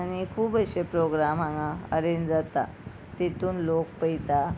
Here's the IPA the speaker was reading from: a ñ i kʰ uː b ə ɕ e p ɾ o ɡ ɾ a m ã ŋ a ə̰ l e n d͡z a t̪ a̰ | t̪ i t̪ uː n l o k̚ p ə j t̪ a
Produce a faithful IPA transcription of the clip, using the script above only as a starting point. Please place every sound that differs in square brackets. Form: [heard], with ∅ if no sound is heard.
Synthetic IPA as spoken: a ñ i kʰ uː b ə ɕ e p ɾ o ɡ ɾ a m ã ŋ a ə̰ [ɾ] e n d͡z a t̪ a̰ | t̪ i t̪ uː n l o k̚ p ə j t̪ a